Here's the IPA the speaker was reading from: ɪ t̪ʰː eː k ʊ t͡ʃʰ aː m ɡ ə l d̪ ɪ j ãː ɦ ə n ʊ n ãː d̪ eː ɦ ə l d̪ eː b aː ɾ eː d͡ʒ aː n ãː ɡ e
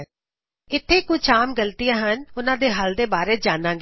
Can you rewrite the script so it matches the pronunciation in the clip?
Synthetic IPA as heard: ɪ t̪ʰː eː k ʊ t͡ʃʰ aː m ɡ ə l t̪ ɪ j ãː ɦ ə n ʊ n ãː d̪ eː ɦ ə l d̪ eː b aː ɾ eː d͡ʒ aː n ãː ɡ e